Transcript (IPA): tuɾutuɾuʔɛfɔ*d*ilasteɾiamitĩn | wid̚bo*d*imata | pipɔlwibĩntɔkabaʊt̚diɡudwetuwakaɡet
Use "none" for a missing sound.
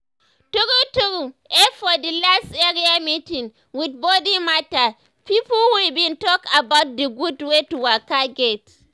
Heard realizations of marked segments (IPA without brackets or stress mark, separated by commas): d, d